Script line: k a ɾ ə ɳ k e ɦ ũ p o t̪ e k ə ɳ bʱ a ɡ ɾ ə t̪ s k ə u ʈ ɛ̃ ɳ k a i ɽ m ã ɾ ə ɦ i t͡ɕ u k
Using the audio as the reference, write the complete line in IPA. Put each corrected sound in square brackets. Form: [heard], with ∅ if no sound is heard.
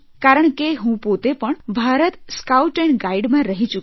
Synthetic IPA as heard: k a ɾ ə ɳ k e ɦ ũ p o t̪ e [p] ə ɳ bʱ a [∅] ɾ ə t̪ s k [a] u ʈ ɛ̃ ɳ [ɡ] a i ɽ m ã ɾ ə ɦ i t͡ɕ u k